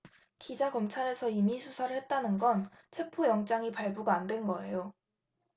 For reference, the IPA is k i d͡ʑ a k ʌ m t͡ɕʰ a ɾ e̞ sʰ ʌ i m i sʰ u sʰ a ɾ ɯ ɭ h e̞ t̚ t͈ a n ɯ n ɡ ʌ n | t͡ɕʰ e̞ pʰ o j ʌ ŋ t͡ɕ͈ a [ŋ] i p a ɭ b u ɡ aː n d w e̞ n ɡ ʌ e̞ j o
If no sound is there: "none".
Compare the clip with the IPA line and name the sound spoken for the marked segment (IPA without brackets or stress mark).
ŋ